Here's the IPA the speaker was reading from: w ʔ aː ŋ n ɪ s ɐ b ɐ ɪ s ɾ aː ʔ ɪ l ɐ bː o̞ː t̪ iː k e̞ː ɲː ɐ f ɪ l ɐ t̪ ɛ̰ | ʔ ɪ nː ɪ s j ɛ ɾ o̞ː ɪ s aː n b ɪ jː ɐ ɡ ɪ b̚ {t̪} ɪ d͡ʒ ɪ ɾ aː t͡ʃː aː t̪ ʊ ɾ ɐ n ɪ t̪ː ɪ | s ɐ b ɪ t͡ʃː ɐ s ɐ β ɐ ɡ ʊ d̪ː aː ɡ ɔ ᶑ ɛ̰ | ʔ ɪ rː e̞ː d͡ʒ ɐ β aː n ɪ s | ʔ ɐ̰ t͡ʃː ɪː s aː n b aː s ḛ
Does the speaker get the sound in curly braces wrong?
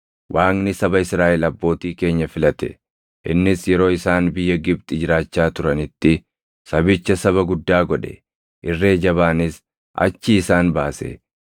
yes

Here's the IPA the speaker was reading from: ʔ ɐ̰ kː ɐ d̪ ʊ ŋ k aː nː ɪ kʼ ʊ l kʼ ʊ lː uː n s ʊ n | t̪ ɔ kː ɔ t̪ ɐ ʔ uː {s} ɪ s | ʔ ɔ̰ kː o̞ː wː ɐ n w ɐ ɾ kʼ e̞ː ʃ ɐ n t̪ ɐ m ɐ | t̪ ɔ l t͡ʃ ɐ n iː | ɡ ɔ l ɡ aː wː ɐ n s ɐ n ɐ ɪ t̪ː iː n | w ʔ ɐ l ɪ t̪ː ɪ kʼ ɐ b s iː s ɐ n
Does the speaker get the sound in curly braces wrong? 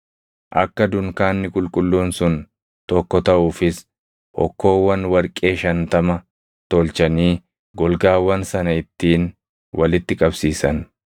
yes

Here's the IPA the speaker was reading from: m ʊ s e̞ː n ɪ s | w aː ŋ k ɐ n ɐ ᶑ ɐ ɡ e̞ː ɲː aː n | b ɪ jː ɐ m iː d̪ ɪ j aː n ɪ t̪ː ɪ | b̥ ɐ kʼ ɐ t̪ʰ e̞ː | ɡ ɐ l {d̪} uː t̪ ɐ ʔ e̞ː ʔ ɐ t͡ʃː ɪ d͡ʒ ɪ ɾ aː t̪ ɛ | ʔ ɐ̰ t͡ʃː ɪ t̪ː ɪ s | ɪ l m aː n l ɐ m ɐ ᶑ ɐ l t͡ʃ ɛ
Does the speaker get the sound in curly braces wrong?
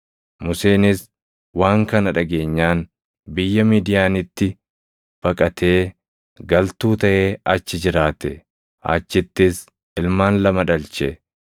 yes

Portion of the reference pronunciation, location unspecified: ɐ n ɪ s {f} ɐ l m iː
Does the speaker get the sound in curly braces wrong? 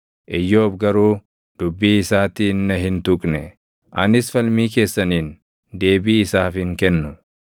no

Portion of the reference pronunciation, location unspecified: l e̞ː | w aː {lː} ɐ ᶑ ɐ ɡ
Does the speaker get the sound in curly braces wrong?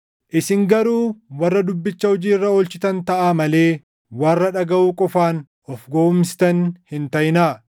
yes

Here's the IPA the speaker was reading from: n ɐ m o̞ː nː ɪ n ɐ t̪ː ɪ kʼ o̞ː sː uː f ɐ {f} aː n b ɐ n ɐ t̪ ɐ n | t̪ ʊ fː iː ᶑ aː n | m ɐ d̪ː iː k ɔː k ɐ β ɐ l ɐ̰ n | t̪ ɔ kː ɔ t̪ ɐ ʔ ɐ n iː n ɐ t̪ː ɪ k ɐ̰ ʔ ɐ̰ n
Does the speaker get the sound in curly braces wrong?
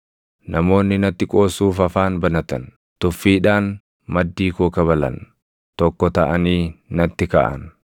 no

